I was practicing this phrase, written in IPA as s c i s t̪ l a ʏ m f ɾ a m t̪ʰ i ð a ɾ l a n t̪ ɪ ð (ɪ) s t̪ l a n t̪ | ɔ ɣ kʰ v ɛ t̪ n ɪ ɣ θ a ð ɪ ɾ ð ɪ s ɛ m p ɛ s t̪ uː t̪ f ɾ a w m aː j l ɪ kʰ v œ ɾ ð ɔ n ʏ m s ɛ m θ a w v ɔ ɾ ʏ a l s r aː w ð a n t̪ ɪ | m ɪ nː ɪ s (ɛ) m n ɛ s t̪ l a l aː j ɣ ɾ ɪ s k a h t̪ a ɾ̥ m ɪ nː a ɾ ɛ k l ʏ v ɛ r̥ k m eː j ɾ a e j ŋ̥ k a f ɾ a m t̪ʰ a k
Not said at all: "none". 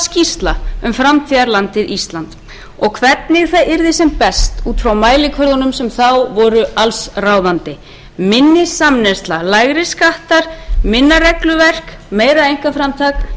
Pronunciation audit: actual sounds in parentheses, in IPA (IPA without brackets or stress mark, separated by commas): i, a